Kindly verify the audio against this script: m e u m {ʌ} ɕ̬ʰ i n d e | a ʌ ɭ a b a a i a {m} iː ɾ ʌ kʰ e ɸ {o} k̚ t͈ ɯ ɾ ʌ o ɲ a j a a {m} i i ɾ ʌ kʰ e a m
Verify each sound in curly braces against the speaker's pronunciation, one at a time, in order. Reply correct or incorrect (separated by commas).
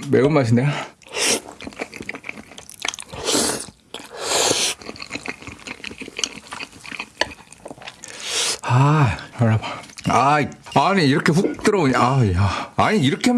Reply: incorrect, incorrect, incorrect, incorrect